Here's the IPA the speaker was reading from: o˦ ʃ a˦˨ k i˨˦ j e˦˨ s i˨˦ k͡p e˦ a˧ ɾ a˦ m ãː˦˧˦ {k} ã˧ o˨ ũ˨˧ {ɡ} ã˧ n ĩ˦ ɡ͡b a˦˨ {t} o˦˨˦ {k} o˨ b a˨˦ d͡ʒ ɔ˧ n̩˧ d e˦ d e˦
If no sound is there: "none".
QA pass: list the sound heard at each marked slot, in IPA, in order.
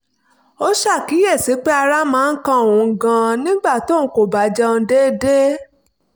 k, ɡ, t, k

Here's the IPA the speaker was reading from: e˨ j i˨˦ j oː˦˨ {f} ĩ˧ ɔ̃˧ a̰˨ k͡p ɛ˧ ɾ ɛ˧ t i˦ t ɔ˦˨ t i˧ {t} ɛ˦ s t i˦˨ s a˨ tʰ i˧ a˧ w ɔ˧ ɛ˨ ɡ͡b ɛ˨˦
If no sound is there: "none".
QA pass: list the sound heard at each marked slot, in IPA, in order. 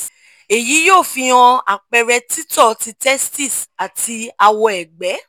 f, t

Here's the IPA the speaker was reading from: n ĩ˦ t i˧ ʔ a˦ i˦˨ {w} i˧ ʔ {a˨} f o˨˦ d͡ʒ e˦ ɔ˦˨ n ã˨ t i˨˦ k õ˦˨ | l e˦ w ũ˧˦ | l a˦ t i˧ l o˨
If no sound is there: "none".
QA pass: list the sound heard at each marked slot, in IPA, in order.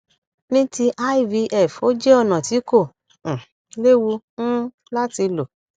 v, ɛ˨

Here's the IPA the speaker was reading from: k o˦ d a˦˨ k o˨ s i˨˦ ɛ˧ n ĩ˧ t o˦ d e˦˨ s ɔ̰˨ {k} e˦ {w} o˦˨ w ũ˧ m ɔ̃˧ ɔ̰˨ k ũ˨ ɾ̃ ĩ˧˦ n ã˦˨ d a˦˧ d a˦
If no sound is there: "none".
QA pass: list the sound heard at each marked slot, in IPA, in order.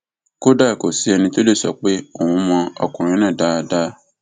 k͡p, none

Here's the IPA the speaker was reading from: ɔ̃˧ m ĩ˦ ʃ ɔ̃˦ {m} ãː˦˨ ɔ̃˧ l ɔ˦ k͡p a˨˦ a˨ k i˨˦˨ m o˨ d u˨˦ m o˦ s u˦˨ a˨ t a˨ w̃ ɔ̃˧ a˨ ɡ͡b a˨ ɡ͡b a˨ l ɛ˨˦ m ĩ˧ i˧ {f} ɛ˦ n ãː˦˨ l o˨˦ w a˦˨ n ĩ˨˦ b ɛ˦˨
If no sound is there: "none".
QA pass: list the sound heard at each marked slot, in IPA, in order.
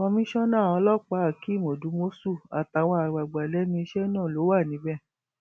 n, ʃ

